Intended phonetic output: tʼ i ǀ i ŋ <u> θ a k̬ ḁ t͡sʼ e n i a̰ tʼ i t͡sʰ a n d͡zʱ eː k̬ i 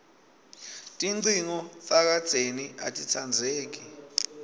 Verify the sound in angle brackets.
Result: incorrect: ɔ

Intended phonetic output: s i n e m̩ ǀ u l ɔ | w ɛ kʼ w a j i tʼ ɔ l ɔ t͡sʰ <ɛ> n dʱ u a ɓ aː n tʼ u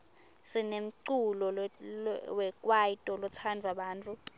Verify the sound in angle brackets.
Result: incorrect: a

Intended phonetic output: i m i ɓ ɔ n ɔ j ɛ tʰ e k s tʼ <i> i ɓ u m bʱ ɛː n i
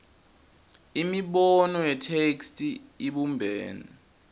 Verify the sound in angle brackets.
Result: correct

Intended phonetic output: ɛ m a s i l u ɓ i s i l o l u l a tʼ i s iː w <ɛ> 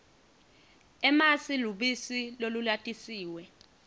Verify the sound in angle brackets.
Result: correct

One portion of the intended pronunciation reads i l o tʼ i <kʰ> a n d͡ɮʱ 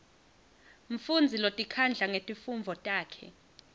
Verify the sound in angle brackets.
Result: correct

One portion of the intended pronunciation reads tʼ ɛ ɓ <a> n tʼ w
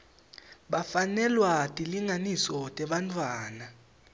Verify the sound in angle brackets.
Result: correct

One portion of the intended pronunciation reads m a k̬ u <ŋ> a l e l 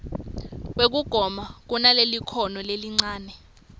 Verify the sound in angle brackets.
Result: incorrect: n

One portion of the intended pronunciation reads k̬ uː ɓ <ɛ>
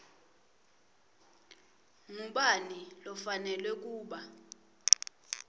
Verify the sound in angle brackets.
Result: incorrect: a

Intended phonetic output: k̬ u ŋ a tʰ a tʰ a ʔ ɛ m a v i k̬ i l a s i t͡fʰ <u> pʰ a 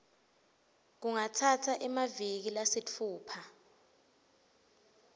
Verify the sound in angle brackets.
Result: incorrect: uː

